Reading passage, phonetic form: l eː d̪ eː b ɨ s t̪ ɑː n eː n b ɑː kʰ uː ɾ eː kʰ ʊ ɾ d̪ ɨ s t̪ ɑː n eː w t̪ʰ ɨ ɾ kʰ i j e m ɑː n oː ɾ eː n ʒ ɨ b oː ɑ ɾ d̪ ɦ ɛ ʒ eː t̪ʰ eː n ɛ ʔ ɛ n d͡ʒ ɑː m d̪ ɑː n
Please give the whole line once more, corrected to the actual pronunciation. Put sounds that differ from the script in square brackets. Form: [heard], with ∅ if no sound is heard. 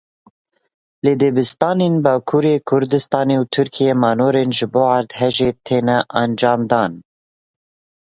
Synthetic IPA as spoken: l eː d̪ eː b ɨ s t̪ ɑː n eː n b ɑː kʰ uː ɾ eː kʰ ʊ ɾ d̪ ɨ s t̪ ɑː n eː w t̪ʰ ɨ ɾ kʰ i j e m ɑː n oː ɾ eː n ʒ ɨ b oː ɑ ɾ d̪ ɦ ɛ ʒ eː t̪ʰ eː n ɛ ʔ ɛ n d͡ʒ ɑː m d̪ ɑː n